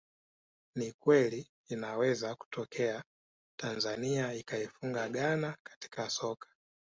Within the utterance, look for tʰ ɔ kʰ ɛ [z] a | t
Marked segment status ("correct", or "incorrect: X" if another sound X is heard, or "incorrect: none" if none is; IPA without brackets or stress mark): incorrect: none